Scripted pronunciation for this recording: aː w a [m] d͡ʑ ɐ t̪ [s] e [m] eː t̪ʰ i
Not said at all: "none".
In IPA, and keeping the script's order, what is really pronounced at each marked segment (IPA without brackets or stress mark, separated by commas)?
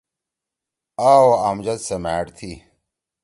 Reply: m, s, m